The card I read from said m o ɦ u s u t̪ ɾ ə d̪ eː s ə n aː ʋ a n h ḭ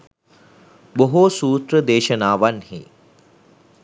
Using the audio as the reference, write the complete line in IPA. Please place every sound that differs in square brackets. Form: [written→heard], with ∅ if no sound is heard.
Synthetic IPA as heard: [m→b] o ɦ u s [u→uː] t̪ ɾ ə d̪ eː [s→ʃ] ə n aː ʋ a n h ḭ